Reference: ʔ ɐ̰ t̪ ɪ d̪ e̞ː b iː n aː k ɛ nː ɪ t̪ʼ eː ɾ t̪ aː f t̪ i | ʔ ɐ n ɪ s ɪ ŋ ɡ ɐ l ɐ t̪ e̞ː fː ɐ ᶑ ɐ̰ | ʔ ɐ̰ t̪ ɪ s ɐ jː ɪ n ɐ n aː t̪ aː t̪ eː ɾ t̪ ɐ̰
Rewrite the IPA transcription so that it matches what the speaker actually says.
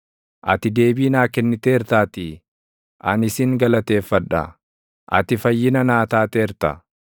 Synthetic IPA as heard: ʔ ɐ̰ t̪ ɪ d̪ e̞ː b iː n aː k ɛ nː ɪ t̪ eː ɾ t̪ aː t̪ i | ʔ ɐ n ɪ s ɪ ŋ ɡ ɐ l ɐ t̪ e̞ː fː ɐ ᶑ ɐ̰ | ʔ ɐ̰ t̪ ɪ f ɐ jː ɪ n ɐ n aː t̪ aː t̪ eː ɾ t̪ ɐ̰